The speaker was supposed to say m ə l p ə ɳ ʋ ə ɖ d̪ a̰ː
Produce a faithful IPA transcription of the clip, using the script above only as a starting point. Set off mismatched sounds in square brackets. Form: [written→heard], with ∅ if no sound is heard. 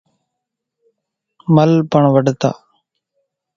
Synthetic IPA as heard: m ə l p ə ɳ ʋ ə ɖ [d̪→t̪] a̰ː